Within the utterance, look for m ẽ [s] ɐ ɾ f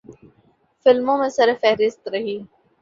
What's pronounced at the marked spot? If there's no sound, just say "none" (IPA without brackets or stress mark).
s